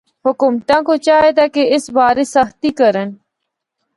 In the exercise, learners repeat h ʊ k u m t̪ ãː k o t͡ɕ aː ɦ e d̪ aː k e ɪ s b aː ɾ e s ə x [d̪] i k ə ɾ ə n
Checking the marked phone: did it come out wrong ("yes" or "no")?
yes